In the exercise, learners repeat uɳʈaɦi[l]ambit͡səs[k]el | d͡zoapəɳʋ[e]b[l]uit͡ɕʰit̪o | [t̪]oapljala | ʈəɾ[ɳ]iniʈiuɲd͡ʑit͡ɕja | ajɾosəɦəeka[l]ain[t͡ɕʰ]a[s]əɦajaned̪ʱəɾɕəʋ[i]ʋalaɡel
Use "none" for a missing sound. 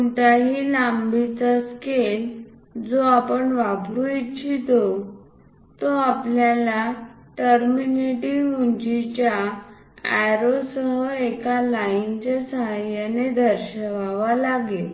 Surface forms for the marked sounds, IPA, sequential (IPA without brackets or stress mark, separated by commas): l, k, a, ɾ, t̪, m, l, t͡ɕ, s, a